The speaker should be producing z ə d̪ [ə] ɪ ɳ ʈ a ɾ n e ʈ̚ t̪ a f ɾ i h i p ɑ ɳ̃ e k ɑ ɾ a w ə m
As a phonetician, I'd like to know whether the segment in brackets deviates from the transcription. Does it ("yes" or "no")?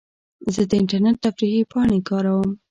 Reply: no